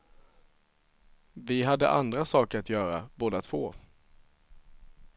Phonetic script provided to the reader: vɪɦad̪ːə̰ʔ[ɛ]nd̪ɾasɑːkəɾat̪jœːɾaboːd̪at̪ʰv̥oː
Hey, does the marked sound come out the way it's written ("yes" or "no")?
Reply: no